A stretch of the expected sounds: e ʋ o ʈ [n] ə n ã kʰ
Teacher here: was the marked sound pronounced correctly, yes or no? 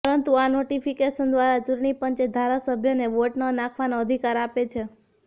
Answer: yes